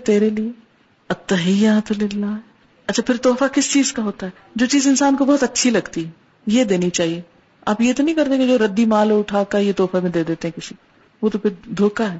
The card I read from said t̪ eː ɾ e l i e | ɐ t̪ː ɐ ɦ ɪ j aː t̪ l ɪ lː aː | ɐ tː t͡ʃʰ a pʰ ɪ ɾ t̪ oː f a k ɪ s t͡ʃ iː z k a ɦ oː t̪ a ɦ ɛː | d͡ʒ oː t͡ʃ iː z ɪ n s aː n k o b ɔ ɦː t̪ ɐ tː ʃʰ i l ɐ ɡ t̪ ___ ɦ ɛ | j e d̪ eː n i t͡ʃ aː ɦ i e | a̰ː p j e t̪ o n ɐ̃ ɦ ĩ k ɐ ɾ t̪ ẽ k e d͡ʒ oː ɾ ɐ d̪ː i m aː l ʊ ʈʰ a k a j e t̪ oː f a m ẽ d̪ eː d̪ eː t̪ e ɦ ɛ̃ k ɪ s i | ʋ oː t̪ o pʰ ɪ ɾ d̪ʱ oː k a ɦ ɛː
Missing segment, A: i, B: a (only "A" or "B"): A